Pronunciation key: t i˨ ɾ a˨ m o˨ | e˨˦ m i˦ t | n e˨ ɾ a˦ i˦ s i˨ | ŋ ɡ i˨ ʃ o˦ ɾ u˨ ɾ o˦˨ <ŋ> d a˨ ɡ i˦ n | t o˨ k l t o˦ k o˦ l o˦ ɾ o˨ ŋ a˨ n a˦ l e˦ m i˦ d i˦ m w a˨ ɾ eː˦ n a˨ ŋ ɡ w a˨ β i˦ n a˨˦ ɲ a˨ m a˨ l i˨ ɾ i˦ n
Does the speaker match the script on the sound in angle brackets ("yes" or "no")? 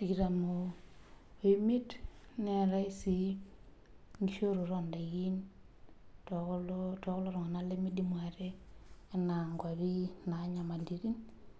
no